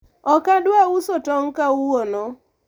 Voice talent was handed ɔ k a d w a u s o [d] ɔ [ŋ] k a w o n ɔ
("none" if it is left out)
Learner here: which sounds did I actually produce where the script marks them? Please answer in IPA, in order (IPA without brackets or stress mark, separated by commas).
t, ŋ